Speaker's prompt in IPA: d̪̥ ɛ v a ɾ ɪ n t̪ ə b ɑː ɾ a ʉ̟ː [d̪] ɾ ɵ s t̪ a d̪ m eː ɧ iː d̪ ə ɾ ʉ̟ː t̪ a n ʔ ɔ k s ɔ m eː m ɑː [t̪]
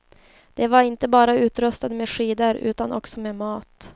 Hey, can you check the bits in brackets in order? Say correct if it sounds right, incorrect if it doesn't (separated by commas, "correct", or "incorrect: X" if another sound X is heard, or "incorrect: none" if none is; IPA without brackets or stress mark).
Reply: incorrect: t̪, correct